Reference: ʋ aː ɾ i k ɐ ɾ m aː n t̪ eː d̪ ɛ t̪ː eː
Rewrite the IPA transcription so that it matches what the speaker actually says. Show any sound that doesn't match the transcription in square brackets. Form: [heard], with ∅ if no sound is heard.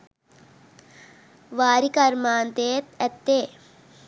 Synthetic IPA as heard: ʋ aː ɾ i k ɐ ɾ m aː n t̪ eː [t̪] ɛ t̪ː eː